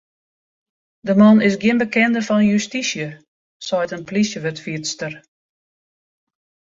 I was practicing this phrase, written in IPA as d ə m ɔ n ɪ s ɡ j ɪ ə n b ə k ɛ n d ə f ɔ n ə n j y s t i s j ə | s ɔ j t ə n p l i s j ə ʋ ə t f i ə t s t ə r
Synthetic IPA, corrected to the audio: d ə m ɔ n ɪ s ɡ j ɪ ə n b ə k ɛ n d ə f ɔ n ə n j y s t i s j ə | s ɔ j t ə n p l i s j ə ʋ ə t f i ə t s t ə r